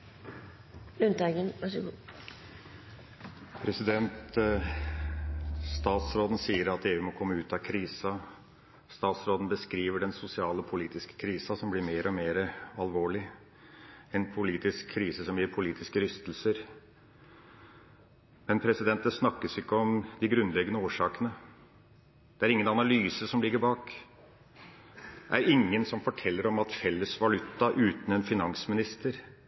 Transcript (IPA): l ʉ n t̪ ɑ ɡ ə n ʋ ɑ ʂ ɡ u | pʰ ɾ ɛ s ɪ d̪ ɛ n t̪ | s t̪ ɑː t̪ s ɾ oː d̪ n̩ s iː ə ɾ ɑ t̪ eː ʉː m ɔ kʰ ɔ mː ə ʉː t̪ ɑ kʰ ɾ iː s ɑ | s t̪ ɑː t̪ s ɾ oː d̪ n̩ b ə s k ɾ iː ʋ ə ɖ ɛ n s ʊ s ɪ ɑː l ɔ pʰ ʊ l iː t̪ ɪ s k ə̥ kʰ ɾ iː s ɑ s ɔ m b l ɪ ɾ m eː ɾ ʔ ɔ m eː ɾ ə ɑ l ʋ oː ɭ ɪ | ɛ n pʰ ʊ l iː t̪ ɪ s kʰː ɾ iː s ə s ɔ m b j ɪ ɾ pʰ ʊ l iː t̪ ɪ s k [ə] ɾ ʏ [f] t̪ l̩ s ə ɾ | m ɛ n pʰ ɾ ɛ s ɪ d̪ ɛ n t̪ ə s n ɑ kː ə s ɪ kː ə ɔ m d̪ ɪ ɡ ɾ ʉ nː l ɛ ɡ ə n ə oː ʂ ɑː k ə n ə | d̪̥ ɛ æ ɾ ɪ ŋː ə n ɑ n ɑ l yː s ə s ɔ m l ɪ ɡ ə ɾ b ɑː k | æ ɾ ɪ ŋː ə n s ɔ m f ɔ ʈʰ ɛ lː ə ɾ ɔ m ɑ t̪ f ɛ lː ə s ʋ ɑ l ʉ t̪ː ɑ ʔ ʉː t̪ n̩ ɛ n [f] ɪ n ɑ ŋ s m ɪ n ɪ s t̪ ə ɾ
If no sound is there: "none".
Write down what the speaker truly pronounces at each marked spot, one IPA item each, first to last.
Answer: ə, s, f

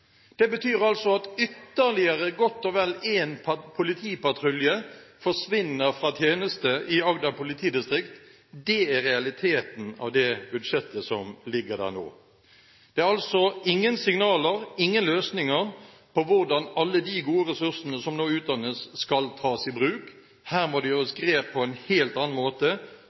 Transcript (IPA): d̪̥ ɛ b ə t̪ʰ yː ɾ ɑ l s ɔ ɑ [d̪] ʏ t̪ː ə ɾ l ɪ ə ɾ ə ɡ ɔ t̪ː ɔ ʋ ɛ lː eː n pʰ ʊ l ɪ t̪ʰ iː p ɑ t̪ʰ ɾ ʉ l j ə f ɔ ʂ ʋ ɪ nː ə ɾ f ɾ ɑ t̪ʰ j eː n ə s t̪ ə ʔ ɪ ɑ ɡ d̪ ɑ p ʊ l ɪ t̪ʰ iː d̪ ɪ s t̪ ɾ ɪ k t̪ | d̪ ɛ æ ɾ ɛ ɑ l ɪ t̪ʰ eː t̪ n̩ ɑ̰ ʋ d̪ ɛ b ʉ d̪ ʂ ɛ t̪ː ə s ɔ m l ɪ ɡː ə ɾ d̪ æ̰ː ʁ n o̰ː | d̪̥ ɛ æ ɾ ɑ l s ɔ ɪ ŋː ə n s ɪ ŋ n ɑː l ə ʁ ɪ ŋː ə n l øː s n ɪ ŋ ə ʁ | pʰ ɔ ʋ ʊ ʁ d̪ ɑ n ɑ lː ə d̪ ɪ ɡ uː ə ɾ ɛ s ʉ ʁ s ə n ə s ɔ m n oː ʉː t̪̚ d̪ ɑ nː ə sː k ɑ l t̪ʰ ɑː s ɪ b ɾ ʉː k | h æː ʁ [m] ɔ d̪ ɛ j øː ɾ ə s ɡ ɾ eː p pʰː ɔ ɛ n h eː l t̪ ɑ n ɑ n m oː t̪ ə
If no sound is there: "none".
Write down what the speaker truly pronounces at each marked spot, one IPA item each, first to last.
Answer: t̪, m

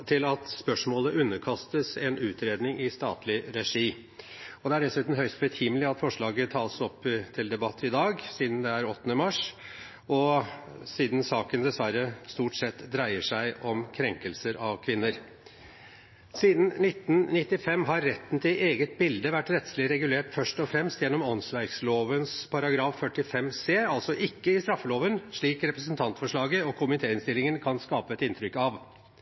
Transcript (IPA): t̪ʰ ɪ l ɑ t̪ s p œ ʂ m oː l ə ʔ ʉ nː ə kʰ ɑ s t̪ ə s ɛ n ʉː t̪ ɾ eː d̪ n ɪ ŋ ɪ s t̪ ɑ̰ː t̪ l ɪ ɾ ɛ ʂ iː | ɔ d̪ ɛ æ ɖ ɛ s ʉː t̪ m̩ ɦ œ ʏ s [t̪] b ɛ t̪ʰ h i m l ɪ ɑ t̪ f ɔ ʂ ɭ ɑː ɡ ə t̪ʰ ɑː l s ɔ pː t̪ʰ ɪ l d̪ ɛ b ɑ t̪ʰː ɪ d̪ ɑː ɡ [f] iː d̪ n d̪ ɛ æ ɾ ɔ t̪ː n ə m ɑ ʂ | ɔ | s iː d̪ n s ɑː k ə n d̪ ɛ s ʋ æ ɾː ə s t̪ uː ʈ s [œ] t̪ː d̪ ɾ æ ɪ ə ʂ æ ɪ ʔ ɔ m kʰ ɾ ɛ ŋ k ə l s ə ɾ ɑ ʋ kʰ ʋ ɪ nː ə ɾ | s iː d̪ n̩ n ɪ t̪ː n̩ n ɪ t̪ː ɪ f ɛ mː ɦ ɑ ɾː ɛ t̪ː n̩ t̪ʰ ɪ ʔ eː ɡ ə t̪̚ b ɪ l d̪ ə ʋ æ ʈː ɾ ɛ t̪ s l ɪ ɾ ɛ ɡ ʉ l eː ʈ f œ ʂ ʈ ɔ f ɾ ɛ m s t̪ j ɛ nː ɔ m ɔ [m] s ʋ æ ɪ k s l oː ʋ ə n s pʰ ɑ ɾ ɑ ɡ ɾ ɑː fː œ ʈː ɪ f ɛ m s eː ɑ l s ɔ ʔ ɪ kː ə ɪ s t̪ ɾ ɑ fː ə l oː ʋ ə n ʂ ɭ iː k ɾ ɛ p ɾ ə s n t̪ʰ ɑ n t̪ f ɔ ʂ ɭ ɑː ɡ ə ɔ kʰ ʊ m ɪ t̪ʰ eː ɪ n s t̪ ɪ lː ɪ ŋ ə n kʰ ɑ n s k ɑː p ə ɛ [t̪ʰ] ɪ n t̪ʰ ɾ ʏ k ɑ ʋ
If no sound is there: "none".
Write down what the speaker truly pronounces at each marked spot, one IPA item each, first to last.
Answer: t̪, s, ɛ, n, t̪

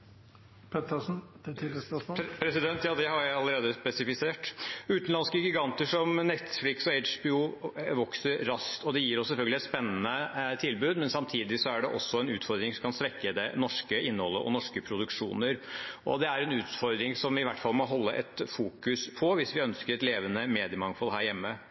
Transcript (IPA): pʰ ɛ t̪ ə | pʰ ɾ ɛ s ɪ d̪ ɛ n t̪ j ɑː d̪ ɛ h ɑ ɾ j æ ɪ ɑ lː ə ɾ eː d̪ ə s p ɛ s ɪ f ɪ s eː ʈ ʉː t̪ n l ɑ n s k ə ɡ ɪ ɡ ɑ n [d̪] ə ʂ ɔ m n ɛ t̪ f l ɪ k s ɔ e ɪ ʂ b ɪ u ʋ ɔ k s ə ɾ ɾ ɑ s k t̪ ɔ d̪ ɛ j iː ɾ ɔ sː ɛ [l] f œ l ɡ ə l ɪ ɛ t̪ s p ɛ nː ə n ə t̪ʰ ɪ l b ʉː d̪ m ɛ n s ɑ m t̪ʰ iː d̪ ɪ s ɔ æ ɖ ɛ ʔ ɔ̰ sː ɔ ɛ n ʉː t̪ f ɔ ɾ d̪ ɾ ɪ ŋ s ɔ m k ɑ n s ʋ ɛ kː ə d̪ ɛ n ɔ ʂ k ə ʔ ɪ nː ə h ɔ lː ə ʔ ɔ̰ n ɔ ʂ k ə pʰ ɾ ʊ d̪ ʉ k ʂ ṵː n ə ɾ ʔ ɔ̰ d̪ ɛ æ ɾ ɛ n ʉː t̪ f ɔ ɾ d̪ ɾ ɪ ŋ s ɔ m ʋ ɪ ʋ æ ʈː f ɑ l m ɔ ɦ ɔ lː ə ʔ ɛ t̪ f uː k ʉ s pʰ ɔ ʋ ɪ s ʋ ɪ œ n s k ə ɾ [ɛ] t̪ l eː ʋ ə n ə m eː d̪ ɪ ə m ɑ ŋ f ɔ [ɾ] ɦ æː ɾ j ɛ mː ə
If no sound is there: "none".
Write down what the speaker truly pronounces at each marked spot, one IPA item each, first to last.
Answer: t̪, l, ɛ, l

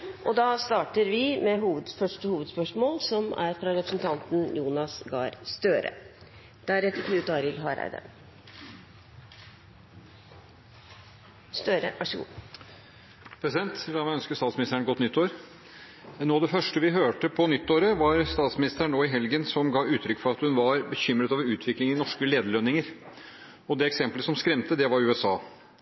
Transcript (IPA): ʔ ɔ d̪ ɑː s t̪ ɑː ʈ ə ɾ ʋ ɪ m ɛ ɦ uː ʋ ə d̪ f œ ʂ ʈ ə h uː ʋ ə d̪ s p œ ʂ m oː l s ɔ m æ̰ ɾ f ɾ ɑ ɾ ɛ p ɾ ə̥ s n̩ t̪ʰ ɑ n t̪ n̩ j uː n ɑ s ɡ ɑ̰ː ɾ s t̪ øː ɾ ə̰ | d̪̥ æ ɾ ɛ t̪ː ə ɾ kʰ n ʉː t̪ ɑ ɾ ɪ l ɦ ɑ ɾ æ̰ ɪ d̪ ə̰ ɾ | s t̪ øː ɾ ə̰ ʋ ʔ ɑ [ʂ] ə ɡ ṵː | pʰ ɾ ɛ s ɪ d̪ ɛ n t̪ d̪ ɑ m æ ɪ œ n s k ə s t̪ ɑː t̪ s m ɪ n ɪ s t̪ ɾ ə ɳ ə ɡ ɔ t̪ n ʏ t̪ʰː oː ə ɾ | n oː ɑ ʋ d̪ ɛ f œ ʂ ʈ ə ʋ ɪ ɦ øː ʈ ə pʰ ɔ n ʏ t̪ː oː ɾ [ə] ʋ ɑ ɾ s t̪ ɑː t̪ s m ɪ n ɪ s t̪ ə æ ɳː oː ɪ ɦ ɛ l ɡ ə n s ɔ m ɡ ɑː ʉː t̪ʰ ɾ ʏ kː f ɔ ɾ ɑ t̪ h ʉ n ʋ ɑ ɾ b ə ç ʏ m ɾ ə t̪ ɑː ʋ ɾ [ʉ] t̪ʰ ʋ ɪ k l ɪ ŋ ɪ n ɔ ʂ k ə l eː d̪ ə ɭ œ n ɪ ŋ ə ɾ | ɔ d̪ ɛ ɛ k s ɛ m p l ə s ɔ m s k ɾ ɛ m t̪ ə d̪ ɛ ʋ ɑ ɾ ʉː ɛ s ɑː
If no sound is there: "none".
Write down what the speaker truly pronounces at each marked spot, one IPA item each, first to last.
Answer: ʂ, ə, ʉː

